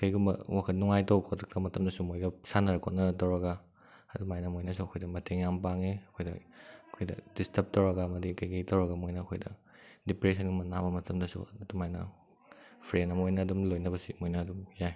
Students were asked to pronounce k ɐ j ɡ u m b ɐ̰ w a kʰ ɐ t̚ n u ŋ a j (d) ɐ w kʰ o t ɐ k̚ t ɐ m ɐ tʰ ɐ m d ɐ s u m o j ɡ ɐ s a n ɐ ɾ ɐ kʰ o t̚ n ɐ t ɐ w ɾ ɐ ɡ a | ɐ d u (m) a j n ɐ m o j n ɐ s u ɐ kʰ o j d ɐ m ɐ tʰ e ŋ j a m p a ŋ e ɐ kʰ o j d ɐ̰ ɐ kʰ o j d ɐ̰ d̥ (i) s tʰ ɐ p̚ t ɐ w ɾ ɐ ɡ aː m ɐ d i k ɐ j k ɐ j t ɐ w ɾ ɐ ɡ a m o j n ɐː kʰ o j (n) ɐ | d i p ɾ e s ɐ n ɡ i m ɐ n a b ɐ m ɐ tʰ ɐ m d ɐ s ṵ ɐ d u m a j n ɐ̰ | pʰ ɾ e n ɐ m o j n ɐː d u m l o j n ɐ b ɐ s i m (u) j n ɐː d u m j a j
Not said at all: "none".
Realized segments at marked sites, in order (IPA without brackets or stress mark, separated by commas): t, m, i, d, o